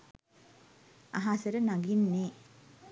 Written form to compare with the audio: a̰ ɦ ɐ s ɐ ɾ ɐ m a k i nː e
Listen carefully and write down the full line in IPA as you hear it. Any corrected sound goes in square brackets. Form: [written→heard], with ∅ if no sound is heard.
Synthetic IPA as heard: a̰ ɦ [ɐ→a] s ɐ ɾ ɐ [m→n] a [k→ɡ] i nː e